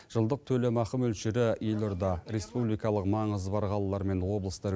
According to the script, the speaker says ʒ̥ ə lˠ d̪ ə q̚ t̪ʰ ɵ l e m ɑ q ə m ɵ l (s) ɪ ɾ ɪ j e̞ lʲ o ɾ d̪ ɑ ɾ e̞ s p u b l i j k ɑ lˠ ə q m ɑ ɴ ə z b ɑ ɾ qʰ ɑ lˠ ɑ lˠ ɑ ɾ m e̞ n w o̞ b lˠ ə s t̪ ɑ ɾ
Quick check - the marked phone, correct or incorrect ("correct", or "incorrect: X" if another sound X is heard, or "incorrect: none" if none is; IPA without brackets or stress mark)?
incorrect: ʃ